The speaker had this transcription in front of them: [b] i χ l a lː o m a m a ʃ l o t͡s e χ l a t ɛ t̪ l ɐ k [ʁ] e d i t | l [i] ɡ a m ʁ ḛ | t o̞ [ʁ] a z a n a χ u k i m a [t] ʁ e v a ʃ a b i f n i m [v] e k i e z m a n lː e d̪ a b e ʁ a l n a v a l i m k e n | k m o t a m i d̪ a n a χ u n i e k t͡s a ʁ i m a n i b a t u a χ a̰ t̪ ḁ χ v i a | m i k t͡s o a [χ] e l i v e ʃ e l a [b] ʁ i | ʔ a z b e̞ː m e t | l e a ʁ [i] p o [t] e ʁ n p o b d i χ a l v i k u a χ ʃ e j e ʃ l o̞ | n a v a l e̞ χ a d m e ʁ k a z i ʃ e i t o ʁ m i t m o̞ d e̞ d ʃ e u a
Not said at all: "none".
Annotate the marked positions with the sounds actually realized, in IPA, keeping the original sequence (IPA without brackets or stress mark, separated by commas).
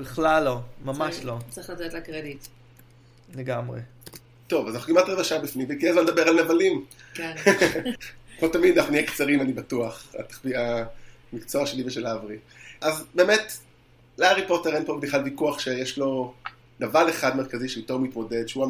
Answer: b, ʁ, e, v, t, v, ʃ, v, i, t